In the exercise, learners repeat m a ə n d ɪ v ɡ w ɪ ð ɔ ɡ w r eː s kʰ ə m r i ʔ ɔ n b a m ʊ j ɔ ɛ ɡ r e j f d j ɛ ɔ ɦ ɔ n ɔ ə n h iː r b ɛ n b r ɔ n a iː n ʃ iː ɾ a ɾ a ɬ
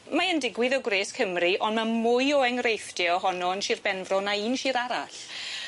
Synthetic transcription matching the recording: m a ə n d ɪ ɡ w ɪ ð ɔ ɡ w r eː s kʰ ə m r i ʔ ɔ n m a m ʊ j ɔ ɛ ŋ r e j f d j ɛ ɔ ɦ ɔ n ɔ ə n ʃ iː r b ɛ n v r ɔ n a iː n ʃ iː ɾ a ɾ a ɬ